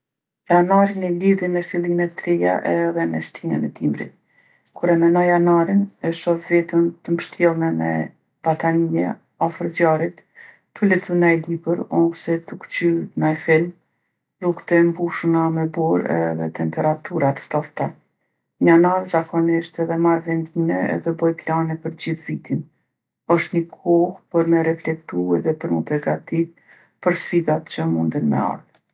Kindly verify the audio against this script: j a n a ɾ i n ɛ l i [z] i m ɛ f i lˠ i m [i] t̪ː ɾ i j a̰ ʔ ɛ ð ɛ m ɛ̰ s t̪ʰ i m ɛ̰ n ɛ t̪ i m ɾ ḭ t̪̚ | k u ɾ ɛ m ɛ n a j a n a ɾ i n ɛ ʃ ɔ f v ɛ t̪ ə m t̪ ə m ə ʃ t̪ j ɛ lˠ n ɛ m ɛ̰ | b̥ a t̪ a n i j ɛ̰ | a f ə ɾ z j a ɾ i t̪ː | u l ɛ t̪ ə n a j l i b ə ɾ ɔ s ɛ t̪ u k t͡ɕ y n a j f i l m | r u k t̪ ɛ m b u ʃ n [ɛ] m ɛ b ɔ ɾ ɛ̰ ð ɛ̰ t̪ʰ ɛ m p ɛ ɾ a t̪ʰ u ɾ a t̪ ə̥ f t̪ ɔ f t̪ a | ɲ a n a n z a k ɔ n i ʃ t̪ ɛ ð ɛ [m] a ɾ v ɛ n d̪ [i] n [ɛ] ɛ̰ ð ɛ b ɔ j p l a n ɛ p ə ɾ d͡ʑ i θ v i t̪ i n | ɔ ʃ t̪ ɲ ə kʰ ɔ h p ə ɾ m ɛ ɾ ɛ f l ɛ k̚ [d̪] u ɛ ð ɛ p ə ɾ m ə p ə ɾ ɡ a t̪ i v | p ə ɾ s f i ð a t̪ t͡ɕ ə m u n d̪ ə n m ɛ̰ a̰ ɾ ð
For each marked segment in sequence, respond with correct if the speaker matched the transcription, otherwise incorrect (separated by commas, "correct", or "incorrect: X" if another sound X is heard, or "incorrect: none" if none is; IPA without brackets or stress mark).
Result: incorrect: ð, incorrect: ɛ, incorrect: a, correct, correct, correct, incorrect: t̪